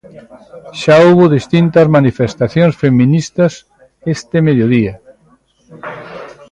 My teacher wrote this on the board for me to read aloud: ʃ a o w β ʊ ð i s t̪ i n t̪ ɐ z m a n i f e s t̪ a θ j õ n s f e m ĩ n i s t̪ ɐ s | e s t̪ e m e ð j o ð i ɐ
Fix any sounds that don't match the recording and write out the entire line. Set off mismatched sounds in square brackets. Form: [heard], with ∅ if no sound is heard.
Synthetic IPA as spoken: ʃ a o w β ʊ ð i s t̪ i n t̪ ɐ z m a n i f e s t̪ a θ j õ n s f e m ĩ n i s t̪ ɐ s | e s t̪ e m e ð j o ð i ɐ